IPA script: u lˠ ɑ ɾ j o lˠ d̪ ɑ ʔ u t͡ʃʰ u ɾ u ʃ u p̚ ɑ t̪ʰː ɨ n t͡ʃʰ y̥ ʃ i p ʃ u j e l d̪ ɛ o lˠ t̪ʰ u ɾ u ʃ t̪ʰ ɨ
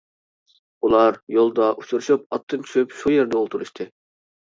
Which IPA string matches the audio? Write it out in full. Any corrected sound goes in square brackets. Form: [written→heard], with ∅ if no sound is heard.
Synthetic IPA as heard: u lˠ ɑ ɾ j o lˠ d̪ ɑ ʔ u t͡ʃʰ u ɾ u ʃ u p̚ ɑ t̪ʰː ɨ n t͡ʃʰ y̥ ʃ [i→y] p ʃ u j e [l→ɾ] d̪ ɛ o lˠ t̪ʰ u ɾ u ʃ t̪ʰ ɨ